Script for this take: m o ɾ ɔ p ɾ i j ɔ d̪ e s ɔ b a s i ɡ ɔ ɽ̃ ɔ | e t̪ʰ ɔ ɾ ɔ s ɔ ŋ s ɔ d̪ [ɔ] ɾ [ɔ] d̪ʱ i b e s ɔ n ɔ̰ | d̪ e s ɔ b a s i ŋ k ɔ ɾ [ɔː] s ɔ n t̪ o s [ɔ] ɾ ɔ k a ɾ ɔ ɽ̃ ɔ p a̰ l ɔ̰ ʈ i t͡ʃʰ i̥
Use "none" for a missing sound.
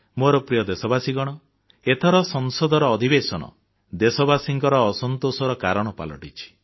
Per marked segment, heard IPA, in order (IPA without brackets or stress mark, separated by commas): ɔ, ɔː, ɔː, ɔ